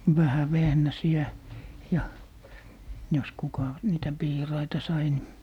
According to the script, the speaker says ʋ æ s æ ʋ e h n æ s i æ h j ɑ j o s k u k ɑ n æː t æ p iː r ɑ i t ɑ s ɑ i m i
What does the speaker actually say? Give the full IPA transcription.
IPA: ʋ æ h æ ʋ e h n æ s i æ j ɑ j o s k u k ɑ n iː t æ p iː r ɑ i t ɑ s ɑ i n i